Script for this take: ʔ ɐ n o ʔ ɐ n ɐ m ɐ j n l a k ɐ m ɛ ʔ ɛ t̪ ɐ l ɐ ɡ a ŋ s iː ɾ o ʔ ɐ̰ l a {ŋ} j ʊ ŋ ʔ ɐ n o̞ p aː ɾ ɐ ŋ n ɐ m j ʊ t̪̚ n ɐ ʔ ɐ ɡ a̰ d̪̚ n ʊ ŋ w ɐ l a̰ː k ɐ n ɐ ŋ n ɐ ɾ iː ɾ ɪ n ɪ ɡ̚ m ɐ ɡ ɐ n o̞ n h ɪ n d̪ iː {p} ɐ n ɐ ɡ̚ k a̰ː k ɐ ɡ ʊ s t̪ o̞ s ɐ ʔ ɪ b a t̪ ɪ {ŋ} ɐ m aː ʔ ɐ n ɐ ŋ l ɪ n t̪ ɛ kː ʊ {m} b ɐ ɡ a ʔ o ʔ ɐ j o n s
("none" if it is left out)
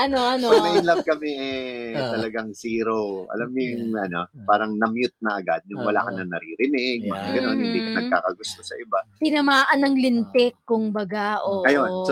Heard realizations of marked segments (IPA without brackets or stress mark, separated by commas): m, k, n, ŋ